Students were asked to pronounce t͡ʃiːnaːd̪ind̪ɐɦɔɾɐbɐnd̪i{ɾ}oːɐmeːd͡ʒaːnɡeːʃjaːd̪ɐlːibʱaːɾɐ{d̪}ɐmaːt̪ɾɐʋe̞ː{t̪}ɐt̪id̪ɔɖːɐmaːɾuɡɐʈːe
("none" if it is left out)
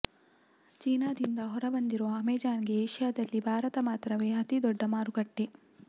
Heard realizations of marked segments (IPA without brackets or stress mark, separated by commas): ɾ, t̪, none